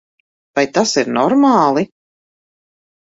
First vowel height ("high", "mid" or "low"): low